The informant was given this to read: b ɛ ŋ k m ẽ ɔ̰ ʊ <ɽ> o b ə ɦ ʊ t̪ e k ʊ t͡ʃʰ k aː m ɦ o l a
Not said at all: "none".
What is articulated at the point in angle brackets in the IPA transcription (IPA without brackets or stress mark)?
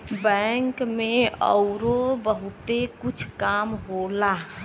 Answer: ɾ